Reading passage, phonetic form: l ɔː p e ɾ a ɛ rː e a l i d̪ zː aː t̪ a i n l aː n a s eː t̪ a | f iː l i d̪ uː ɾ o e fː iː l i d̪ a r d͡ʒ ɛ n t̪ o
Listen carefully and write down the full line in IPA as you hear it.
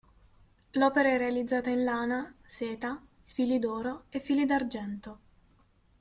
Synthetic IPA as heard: l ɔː p e ɾ a ɛ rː e a l i d̪ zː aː t̪ a i n l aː n a s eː t̪ a | f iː l i d̪ ɔː ɾ o e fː iː l i d̪ a r d͡ʒ ɛ n t̪ o